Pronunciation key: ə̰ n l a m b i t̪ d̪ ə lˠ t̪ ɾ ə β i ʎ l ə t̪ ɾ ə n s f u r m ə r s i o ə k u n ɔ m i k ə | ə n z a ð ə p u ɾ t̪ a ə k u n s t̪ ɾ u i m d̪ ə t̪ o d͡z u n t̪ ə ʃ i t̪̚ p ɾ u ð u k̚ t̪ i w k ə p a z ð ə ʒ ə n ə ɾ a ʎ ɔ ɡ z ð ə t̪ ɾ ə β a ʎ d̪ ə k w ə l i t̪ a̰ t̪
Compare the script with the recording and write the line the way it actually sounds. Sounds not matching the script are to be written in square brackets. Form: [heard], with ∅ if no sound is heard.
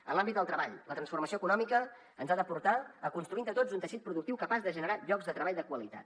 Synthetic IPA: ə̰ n l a m b i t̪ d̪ ə lˠ t̪ ɾ ə β [a] ʎ l ə t̪ ɾ ə n s f u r m ə [∅] s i o ə k u n ɔ m i k ə | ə n z a ð ə p u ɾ t̪ a ə k u n s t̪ ɾ u i [n] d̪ ə t̪ o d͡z u n t̪ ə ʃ i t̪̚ p ɾ u ð u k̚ t̪ i w k ə p a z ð ə ʒ ə n ə ɾ a ʎ ɔ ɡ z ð ə t̪ ɾ ə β a ʎ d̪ ə k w ə l i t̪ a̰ t̪